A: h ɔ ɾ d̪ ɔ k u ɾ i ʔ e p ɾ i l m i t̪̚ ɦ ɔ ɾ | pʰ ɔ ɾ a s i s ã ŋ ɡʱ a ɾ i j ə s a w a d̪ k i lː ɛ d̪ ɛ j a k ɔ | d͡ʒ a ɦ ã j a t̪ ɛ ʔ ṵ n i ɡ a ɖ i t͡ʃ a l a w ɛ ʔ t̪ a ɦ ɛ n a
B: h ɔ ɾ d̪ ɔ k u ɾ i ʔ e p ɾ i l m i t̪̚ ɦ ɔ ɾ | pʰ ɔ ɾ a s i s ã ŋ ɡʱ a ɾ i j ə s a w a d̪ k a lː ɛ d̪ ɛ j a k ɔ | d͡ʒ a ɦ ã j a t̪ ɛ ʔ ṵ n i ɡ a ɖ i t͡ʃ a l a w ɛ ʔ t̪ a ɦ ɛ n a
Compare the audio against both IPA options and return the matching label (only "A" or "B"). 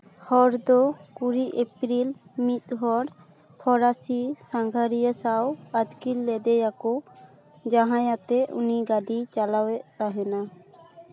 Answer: A